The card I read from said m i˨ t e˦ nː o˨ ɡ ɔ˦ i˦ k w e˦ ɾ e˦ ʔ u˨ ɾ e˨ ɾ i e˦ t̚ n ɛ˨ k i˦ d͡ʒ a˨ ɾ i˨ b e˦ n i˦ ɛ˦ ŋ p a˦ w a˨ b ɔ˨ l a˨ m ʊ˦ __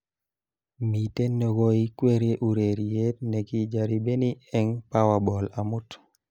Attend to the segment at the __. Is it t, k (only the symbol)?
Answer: t